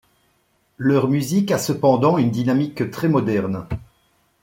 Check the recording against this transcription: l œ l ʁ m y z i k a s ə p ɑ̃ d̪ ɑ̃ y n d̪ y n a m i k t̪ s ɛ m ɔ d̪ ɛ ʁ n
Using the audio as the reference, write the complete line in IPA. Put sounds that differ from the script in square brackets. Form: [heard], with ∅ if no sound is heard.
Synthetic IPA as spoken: l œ [∅] ʁ m y z i k a s ə p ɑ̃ d̪ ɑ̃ y n d̪ [i] n a m i k t̪ [χ] ɛ m ɔ d̪ ɛ ʁ n